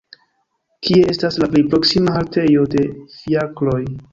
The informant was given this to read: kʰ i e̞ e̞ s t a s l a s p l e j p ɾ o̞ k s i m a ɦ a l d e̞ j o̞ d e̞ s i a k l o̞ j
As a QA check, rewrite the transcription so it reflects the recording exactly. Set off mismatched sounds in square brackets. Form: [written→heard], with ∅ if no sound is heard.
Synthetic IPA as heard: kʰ i e̞ e̞ s t a s l a [s→∅] p l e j p ɾ o̞ k s i m a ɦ a l [d→t] e̞ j o̞ d e̞ [s→f] i a k l o̞ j